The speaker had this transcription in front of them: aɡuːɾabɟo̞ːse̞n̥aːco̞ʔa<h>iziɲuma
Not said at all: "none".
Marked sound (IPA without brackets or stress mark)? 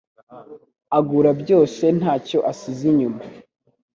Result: s